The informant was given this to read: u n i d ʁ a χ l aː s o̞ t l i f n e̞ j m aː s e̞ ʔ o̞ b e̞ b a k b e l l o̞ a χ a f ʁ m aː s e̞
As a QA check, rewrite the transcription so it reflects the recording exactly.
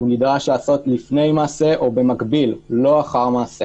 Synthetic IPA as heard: u n i d ʁ a ʃ l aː s o̞ t l i f n e̞ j m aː s e̞ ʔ o̞ b e̞ m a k b i l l o̞ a χ a ʁ m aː s e̞